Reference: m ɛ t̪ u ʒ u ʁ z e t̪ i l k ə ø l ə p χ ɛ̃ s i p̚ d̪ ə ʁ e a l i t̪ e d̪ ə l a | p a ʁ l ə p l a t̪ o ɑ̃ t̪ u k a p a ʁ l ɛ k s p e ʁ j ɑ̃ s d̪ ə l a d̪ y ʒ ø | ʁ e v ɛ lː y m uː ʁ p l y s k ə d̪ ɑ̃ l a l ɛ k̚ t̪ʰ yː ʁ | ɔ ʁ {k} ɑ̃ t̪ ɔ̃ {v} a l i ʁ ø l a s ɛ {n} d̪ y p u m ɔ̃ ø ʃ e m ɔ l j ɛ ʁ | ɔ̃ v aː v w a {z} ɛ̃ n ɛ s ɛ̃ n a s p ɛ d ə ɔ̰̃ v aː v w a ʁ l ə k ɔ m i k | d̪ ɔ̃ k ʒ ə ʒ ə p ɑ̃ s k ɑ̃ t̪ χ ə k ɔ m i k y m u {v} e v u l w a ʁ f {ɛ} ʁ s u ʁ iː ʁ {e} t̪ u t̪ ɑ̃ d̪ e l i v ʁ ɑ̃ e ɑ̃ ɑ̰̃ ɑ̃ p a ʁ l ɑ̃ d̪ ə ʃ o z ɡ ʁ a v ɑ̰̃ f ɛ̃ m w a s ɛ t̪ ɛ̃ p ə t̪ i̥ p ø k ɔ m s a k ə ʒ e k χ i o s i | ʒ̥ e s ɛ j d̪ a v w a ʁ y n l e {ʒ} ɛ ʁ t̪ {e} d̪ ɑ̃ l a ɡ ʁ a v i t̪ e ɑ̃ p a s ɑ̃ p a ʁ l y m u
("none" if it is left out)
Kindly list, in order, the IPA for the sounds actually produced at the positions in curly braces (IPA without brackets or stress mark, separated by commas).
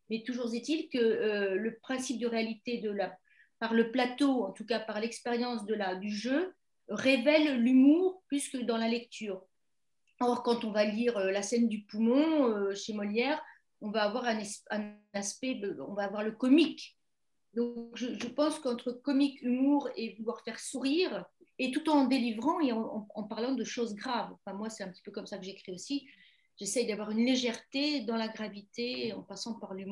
k, v, n, ʁ, ʁ, ɛ, e, ʒ, e